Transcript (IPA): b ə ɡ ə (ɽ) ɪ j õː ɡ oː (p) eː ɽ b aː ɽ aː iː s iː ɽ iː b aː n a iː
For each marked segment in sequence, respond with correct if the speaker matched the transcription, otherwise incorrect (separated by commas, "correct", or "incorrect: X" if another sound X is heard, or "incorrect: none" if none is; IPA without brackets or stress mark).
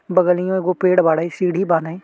incorrect: l, correct